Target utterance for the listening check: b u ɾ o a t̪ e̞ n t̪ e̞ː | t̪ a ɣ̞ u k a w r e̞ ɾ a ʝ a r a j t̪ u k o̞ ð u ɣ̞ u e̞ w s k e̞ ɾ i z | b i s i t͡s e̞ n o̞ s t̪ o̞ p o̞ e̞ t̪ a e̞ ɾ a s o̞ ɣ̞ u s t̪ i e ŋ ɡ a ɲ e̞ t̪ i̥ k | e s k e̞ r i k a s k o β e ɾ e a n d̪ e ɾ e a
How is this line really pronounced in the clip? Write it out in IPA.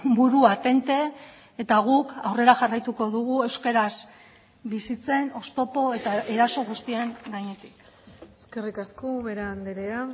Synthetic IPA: b u ɾ u a t̪ e̞ n t̪ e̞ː | t̪ a ɣ̞ u k a w r e̞ ɾ a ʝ a r a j t̪ u k o̞ ð u ɣ̞ u e̞ w s k e̞ ɾ a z | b i s i t͡s e̞ n o̞ s t̪ o̞ p o̞ e̞ t̪ a e̞ ɾ a s o̞ ɣ̞ u s t̪ i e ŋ ɡ a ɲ e̞ t̪ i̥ k | e s k e̞ r i k a s k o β e ɾ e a n d̪ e ɾ e a